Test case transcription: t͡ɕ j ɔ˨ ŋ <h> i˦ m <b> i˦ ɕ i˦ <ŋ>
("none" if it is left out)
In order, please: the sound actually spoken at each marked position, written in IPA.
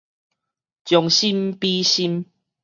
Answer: ɕ, p, m

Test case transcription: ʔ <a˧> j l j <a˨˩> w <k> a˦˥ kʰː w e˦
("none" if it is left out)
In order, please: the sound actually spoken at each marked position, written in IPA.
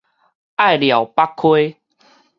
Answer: a˥˨, a˨˩, p

